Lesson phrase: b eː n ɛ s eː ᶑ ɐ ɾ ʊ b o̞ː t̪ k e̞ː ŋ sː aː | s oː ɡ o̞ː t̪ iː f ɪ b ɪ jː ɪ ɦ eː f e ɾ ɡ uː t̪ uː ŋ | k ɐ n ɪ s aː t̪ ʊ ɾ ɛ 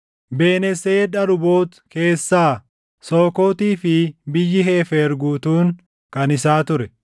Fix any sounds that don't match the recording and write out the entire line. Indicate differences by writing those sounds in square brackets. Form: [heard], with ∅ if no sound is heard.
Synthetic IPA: b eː n ɛ s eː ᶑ ɐ ɾ ʊ b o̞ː t̪ k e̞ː [∅] sː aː | s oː [k] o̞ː t̪ iː f ɪ b ɪ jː ɪ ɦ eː f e ɾ ɡ uː t̪ uː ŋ | k ɐ n ɪ s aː t̪ ʊ ɾ ɛ

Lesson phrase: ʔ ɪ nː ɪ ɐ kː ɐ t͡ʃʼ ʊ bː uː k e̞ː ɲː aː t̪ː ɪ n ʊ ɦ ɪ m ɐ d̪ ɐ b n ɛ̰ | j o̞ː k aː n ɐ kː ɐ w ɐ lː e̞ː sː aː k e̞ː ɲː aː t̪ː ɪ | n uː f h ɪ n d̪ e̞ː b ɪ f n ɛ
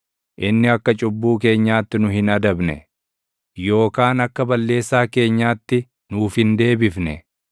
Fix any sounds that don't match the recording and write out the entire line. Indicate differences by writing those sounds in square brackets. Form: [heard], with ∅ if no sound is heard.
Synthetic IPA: ʔ ɪ nː ɪ ɐ kː ɐ t͡ʃʼ ʊ bː uː k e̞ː ɲː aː t̪ː ɪ n ʊ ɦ ɪ [n] ɐ d̪ ɐ b n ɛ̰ | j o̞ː k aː n ɐ kː ɐ [b] ɐ lː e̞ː sː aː k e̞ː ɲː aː t̪ː ɪ | n uː f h ɪ n d̪ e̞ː b ɪ f n ɛ

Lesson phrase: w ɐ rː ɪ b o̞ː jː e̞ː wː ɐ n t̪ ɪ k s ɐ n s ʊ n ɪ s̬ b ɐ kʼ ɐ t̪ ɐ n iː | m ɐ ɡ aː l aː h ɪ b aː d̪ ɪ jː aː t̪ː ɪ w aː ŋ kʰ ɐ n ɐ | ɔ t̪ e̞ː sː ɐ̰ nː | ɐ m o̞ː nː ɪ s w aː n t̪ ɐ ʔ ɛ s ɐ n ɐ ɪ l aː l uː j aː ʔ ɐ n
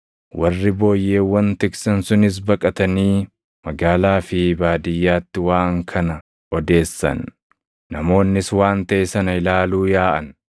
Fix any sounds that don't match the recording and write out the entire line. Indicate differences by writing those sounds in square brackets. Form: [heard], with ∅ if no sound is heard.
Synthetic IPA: w ɐ rː ɪ b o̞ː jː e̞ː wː ɐ n t̪ ɪ k s ɐ n s ʊ n ɪ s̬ b ɐ kʼ ɐ t̪ ɐ n iː | m ɐ ɡ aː l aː [f] ɪ b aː d̪ ɪ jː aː t̪ː ɪ w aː ŋ kʰ ɐ n ɐ | ɔ [d̪] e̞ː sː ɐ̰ nː | ɐ m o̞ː nː ɪ s w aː n t̪ ɐ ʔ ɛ s ɐ n ɐ ɪ l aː l uː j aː ʔ ɐ n

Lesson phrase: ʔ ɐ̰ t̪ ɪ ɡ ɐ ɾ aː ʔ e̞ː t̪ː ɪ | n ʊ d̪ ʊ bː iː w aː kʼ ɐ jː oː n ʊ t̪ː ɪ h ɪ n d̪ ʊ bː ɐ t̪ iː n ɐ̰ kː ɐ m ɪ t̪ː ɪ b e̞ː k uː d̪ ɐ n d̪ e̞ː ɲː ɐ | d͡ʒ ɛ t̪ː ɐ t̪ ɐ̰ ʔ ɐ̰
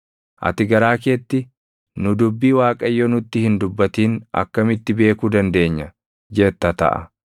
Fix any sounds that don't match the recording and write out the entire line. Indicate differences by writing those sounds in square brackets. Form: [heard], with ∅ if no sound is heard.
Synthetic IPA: ʔ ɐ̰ t̪ ɪ ɡ ɐ ɾ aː [k] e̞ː t̪ː ɪ | n ʊ d̪ ʊ bː iː w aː kʼ ɐ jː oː n ʊ t̪ː ɪ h ɪ n d̪ ʊ bː ɐ t̪ iː n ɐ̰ kː ɐ m ɪ t̪ː ɪ b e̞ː k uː d̪ ɐ n d̪ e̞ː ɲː ɐ | d͡ʒ ɛ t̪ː ɐ t̪ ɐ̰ ʔ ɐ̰

